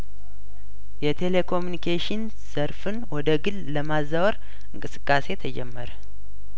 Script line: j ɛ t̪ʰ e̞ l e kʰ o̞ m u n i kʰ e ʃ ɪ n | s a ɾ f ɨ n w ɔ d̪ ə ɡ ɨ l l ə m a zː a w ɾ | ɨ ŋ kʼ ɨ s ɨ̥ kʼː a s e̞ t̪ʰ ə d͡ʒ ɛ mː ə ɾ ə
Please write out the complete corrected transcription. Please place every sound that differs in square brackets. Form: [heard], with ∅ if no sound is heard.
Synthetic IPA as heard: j ɛ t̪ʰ e̞ l e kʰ o̞ m u n i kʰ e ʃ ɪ n | s [ə] ɾ f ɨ n w ɔ d̪ ə ɡ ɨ l l ə m a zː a w ɾ | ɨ ŋ kʼ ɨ s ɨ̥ kʼː a s e̞ t̪ʰ ə d͡ʒ ɛ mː ə ɾ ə